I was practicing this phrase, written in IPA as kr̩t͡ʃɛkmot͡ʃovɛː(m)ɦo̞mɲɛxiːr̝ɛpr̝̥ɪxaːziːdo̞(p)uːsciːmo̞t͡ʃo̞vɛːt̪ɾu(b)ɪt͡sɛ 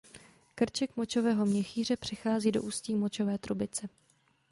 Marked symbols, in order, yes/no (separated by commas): no, no, yes